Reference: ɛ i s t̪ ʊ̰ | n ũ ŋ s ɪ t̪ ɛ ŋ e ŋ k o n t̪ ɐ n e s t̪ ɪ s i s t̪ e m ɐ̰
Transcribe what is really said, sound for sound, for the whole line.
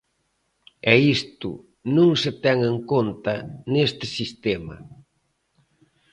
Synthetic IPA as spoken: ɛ i s t̪ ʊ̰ | n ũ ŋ s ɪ t̪ ɛ ŋ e ŋ k o n t̪ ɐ n e s t̪ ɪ s i s t̪ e m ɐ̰